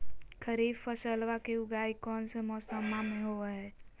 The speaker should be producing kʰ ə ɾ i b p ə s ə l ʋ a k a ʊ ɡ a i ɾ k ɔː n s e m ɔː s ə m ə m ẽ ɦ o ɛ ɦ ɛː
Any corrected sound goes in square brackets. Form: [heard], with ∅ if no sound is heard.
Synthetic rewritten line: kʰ ə ɾ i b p ə s ə l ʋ a k [e] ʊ ɡ a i [∅] k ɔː n s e m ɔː s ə m [a] m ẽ ɦ o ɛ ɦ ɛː